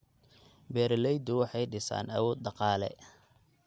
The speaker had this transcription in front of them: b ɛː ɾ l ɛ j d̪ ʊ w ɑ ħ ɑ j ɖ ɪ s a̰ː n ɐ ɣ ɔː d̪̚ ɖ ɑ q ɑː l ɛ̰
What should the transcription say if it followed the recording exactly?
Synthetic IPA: b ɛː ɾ l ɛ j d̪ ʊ w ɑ ħ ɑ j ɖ ɪ s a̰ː n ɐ w ɔː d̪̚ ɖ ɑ q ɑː l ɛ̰